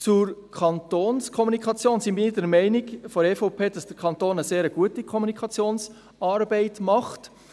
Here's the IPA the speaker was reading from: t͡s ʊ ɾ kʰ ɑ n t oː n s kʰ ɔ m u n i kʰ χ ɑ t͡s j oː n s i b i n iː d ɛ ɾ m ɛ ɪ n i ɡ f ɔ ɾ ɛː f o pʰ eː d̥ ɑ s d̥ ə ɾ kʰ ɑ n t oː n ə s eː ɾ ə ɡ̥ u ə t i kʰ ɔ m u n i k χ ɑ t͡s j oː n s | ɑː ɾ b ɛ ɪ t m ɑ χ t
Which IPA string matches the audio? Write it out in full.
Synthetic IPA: t͡s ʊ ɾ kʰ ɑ n t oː n s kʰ ɔ m u n i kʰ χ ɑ t͡s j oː n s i b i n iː d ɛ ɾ m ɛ ɪ n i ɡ f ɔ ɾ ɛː f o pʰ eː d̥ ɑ s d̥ ə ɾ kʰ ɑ n t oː n ə s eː ɾ ə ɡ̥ u ə t i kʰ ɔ m u n i k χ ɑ t͡s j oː n s | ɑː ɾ b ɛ ɪ t m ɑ χ t